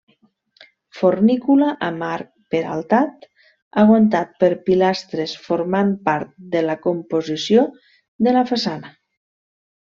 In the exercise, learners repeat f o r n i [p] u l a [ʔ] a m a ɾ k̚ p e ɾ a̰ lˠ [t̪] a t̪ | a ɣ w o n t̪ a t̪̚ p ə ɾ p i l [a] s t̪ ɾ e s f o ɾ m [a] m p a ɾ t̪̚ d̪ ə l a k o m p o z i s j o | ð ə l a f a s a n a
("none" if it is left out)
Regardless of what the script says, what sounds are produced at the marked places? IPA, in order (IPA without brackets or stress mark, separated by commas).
k, ʔ, t̪, a, a